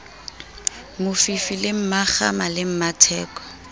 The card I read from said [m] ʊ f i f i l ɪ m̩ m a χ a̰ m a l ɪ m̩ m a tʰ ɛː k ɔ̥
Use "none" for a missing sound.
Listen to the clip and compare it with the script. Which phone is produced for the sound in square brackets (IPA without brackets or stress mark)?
m